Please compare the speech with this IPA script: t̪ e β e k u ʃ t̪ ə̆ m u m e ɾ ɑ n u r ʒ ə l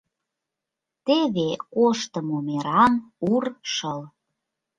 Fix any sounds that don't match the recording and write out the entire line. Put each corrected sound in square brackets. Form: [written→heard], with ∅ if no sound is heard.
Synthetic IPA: t̪ e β e k [u→o] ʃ t̪ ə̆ m [u→o] m e ɾ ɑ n u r [ʒ→ʃ] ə l